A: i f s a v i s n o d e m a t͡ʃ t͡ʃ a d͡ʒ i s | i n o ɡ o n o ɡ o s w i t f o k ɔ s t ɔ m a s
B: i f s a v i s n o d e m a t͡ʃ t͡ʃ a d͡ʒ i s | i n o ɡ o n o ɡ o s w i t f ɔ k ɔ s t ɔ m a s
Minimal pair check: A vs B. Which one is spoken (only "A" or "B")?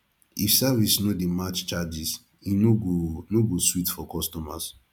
B